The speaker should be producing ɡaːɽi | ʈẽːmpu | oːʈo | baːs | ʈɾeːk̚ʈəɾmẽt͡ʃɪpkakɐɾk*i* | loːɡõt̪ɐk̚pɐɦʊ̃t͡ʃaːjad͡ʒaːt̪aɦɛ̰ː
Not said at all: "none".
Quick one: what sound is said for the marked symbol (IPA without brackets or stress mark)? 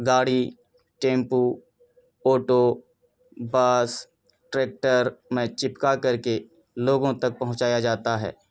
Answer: e